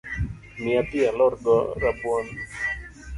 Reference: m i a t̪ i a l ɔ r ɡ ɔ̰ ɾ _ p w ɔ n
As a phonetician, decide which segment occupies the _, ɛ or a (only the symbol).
a